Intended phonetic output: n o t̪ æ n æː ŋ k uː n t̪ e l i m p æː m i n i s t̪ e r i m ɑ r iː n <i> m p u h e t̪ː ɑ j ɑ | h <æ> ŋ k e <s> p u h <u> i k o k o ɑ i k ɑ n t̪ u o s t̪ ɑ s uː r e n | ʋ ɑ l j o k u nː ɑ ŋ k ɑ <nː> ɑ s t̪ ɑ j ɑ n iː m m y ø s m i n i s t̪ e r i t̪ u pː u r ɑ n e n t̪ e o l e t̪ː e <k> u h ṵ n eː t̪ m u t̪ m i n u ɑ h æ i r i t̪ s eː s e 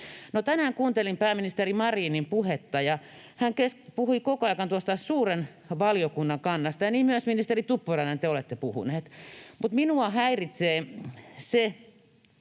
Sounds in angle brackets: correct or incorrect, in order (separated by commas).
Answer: correct, correct, correct, correct, correct, incorrect